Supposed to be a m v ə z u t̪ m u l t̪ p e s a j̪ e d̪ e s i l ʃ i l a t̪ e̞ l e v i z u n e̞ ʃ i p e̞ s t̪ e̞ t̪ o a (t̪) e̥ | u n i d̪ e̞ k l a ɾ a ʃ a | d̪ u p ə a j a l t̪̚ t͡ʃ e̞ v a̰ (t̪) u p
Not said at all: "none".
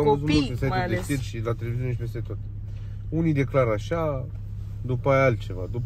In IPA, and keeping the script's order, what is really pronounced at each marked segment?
t̪, d̪

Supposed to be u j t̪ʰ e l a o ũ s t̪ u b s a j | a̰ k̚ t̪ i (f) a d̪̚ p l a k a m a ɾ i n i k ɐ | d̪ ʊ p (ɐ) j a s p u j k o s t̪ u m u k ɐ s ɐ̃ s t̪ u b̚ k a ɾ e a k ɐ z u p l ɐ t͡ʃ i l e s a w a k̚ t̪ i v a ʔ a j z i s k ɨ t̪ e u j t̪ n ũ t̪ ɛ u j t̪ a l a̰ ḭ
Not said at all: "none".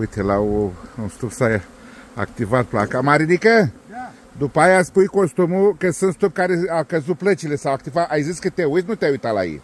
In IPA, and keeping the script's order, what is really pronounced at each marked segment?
v, a

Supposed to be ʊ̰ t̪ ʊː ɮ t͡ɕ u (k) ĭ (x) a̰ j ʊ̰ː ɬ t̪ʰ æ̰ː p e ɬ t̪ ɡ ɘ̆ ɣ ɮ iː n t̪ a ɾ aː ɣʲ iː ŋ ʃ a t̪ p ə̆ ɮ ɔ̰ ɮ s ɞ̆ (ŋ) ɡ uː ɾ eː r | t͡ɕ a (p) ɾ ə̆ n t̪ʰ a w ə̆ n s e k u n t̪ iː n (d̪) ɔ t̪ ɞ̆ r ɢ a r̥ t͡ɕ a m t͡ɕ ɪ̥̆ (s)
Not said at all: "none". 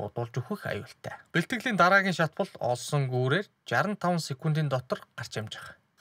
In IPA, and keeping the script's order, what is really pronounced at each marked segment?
x, x, ŋ, none, t̪, χ

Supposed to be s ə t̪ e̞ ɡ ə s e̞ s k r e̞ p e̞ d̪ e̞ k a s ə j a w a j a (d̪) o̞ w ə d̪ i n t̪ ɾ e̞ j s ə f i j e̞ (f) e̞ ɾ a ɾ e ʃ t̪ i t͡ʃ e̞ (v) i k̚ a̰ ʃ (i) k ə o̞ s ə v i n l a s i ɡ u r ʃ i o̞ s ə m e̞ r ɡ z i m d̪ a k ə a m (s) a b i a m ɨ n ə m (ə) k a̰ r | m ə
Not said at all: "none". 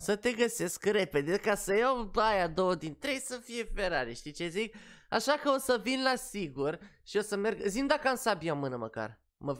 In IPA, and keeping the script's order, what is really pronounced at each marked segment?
d̪, f, z, a, s, ə

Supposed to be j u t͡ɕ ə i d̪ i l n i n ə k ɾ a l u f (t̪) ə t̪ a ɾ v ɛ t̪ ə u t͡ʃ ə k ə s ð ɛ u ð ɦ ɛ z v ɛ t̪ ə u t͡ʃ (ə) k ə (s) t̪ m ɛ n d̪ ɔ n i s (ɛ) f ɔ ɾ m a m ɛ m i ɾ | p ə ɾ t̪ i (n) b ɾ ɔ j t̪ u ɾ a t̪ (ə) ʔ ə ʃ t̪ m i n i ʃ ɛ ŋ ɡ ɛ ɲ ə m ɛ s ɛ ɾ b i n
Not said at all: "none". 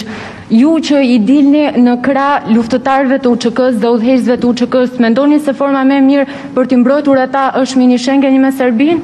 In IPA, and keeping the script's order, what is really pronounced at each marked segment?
t̪, ə, s, ɛ, m, a

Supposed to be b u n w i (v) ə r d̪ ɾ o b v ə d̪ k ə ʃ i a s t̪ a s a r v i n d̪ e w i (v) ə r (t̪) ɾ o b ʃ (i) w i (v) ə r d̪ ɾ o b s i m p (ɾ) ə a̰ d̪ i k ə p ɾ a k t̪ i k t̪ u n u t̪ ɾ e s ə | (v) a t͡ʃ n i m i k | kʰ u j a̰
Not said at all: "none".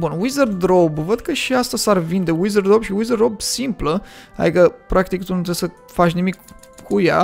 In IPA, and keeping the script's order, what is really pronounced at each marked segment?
z, z, d̪, i, z, l, f

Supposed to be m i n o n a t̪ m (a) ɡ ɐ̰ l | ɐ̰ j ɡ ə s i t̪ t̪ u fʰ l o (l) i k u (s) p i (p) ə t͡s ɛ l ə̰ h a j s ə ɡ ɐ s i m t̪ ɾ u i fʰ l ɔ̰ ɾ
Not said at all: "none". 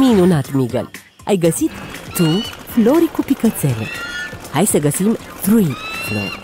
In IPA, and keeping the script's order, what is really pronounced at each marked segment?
i, ɾ, none, k

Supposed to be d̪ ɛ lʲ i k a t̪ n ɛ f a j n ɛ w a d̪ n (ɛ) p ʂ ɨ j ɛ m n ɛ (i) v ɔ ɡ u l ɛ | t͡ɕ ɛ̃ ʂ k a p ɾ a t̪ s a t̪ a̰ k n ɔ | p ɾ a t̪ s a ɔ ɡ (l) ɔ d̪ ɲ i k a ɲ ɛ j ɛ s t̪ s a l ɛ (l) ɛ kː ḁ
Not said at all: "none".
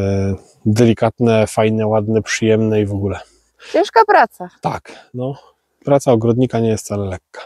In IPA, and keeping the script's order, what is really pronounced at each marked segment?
ɛ, i, ɾ, l

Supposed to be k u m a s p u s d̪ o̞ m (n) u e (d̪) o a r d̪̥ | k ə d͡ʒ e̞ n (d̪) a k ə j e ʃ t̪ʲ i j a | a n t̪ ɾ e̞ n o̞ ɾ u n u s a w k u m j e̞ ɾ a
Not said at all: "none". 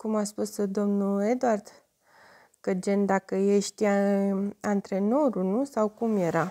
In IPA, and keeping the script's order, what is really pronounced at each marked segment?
n, d̪, d̪

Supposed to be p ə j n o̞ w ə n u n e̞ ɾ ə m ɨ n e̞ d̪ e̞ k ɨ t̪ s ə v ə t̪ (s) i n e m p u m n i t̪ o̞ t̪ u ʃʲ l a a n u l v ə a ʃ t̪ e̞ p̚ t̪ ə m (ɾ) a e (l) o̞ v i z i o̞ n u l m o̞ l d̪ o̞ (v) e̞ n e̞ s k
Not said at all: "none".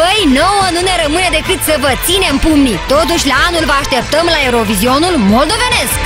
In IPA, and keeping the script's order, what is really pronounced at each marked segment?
s, l, ɾ, v

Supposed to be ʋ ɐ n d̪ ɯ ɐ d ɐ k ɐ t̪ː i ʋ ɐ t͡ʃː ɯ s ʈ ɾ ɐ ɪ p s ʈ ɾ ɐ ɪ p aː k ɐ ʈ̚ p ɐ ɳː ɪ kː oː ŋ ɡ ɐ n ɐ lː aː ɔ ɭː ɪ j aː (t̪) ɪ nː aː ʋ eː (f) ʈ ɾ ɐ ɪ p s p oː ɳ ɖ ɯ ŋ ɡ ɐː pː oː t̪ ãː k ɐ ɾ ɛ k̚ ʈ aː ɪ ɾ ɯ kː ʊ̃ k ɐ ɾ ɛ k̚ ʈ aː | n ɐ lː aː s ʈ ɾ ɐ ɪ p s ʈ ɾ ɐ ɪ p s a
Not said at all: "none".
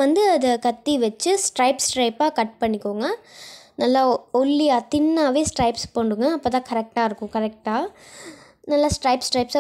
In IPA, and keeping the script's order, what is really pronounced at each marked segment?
t̪, s

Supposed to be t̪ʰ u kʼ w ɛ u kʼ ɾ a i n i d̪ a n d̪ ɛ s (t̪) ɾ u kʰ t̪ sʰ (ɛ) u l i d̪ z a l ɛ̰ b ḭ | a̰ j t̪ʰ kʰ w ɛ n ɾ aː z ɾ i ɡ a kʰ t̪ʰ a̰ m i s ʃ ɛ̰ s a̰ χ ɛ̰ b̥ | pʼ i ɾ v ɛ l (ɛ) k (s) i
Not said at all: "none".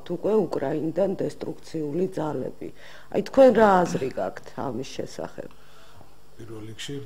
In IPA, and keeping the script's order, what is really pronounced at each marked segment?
t̪ʼ, i, i, ʃ

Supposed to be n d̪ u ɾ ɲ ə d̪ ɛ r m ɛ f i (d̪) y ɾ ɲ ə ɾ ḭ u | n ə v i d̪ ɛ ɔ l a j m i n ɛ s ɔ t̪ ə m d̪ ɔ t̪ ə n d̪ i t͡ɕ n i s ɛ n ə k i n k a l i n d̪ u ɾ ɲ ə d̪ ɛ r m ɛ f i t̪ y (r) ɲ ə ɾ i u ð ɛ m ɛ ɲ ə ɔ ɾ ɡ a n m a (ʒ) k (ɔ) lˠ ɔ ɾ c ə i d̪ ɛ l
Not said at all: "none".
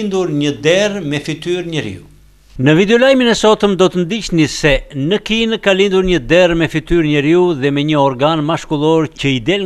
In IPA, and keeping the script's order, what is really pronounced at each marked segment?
t̪, ɾ, ʃ, u

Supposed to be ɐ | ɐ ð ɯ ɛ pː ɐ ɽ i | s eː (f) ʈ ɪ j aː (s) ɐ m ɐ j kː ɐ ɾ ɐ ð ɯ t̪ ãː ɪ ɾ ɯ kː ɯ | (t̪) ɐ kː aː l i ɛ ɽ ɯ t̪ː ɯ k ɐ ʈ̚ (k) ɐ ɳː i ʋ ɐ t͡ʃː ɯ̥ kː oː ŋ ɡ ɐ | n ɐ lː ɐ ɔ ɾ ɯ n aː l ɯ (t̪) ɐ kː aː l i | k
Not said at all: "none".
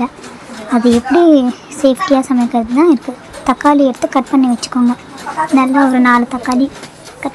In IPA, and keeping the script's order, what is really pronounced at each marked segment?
f, s, t̪, p, t̪

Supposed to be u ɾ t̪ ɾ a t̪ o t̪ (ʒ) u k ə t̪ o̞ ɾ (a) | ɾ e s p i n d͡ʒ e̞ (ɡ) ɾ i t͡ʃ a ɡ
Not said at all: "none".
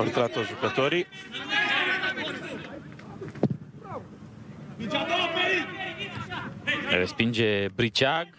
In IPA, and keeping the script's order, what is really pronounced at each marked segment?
ʒ, i, b

